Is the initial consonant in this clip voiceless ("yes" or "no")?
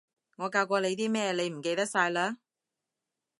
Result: no